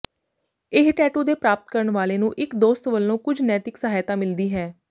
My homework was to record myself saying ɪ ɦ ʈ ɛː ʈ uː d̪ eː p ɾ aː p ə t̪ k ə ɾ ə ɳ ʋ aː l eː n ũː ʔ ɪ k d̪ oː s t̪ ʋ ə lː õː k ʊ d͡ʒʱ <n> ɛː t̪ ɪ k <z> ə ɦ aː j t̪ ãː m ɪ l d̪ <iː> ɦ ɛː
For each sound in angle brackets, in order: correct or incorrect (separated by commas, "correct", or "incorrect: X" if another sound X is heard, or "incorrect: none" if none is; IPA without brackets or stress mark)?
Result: correct, incorrect: s, correct